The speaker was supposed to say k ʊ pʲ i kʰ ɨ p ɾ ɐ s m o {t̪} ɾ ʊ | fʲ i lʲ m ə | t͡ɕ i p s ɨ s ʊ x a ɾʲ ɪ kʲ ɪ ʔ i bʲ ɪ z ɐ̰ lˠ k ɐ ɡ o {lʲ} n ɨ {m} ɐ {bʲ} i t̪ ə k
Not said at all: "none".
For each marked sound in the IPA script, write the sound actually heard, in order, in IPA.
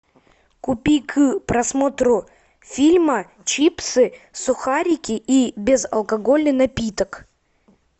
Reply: t̪, lʲ, n, pʲ

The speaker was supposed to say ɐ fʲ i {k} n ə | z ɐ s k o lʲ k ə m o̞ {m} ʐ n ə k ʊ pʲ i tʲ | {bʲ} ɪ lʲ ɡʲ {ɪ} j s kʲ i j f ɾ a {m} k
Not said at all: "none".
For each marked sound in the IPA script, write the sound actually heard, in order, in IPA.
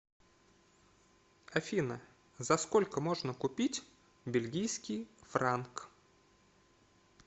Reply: none, none, bʲ, i, n

